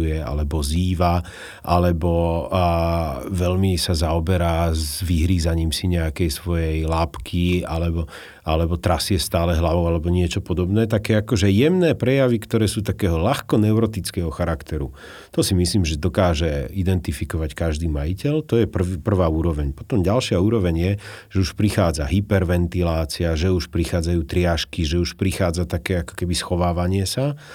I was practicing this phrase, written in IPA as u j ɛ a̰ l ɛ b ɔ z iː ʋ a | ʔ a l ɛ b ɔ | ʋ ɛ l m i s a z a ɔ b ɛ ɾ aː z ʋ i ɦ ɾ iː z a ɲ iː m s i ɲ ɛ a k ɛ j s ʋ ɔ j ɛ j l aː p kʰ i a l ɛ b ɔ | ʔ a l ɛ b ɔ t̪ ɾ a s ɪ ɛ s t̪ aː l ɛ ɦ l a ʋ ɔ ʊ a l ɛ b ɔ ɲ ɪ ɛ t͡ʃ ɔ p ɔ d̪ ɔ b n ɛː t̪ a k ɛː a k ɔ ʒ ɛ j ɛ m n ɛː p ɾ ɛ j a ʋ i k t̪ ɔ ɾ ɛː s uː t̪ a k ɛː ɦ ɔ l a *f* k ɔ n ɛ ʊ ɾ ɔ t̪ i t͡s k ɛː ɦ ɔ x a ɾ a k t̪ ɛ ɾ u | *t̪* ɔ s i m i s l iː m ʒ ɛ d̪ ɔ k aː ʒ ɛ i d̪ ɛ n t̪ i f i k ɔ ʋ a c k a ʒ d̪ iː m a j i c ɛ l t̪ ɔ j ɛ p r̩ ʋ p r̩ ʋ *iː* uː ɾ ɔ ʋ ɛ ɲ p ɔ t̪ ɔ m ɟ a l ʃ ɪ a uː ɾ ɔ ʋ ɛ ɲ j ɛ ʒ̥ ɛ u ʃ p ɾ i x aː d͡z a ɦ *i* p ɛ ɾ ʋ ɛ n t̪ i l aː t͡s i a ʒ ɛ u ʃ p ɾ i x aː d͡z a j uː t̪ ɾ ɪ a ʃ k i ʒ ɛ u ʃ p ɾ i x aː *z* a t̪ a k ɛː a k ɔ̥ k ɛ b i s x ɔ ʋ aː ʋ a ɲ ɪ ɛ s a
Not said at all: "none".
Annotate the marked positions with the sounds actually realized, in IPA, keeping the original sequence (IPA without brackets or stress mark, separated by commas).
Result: x, t̪, aː, i, d͡z